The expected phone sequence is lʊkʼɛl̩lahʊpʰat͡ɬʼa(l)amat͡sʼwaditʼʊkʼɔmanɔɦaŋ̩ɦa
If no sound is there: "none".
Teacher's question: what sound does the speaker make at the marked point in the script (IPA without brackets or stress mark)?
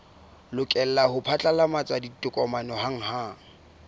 l